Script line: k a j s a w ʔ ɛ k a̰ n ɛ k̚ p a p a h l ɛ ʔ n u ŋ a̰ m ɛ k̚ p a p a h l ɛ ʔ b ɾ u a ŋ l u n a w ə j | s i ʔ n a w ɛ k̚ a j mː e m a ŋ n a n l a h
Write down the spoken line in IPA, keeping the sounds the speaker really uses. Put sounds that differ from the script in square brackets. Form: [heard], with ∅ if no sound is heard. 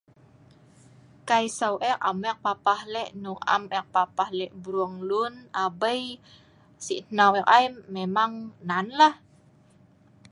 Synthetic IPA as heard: k a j s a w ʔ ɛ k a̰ [m] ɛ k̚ p a p a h l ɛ ʔ n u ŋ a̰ m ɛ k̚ p a p a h l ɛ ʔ b ɾ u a ŋ l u n a [b] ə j | s i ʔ n a w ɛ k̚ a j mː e m a ŋ n a n l a h

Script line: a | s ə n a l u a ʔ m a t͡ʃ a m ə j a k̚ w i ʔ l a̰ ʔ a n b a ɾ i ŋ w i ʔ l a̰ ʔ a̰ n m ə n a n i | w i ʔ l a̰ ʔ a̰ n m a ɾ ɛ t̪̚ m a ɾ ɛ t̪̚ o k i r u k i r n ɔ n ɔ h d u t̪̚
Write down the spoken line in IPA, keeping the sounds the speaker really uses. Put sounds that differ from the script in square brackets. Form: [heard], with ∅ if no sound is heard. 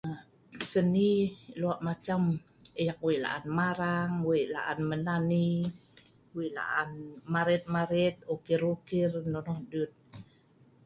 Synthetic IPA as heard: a | s ə n [i] l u a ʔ m a t͡ʃ a m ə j a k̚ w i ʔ l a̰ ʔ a n [m] a ɾ [a] ŋ w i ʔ l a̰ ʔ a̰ n m ə n a n i | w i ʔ l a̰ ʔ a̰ n m a ɾ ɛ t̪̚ m a ɾ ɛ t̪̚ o k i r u k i r n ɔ n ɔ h d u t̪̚

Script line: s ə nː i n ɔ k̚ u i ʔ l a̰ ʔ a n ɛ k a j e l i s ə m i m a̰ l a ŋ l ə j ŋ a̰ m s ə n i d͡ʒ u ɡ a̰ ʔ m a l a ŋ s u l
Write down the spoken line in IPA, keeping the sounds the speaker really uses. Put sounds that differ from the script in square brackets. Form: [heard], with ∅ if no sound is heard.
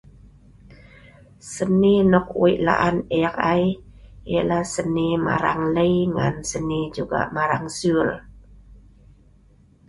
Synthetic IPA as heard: s ə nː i n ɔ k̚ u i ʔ l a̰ ʔ a n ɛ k a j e l [a] s ə [n] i m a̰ [ɾ] a ŋ l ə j ŋ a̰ [n] s ə n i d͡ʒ u ɡ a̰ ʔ m a [ɾ] a ŋ s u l

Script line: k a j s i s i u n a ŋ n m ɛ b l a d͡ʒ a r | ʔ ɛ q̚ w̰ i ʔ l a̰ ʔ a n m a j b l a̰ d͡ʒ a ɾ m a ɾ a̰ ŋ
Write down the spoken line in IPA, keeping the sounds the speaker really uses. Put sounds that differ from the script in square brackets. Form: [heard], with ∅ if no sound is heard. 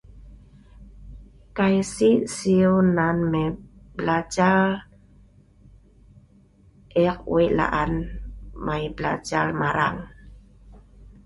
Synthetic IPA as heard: k a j s i s i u n a [∅] n m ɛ b l a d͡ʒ a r | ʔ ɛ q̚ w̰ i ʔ l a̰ ʔ a n m a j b l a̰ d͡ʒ a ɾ m a ɾ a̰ ŋ

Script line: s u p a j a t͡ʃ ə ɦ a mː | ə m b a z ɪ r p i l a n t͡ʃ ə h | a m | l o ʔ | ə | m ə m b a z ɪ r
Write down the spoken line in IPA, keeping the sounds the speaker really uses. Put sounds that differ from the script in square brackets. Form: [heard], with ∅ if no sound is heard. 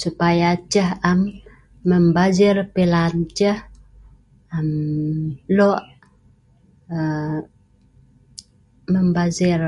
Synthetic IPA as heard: s u p a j a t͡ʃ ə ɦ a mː | ə m b a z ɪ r p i l a n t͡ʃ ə h | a m | l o ʔ | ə | m ə m b a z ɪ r

